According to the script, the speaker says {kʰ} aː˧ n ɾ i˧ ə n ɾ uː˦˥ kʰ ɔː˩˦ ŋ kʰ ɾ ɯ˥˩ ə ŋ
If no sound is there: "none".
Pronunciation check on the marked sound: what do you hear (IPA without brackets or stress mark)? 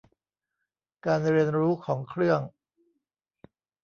k